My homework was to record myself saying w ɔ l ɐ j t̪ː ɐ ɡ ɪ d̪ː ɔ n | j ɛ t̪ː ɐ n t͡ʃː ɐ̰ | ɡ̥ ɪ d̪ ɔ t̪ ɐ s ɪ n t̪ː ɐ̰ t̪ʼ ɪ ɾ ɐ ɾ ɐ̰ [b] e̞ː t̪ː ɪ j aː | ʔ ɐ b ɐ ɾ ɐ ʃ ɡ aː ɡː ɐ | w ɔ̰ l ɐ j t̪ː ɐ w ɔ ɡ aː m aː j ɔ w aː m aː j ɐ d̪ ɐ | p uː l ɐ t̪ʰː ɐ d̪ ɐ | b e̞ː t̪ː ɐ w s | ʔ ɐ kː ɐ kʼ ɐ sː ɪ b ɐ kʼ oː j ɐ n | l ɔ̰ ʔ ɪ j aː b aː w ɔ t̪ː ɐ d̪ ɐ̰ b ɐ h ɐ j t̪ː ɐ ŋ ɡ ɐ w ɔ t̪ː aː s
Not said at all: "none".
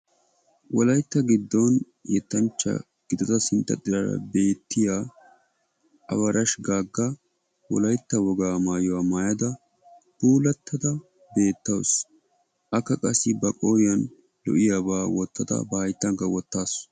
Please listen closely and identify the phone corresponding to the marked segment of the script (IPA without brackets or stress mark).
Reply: b